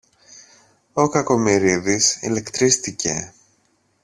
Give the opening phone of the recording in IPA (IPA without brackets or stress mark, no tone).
o̞